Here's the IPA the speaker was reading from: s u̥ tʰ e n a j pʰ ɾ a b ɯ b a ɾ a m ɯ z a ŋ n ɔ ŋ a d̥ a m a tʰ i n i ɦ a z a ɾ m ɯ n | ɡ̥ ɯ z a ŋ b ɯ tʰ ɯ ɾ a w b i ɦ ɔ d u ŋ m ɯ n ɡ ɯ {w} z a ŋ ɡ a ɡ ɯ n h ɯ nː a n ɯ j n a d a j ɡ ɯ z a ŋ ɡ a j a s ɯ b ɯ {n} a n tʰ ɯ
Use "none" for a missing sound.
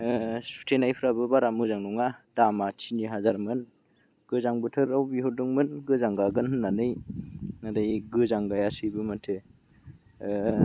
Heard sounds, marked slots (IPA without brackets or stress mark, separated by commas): none, m